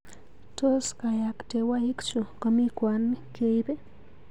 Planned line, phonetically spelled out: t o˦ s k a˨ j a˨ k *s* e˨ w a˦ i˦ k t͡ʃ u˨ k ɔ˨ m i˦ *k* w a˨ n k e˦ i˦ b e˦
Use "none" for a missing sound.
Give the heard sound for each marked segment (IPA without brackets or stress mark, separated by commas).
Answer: t, k